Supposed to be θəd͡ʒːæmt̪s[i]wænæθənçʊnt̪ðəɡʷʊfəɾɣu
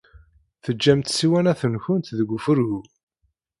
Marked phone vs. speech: correct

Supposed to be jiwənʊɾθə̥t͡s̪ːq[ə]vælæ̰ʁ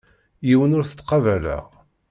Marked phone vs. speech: incorrect: ɑ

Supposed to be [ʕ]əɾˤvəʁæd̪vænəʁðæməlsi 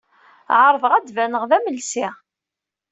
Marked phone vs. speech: correct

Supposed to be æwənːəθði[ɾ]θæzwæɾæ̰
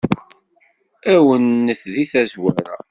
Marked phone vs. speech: incorrect: none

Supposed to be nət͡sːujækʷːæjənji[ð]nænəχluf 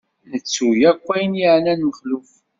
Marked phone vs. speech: incorrect: ʕ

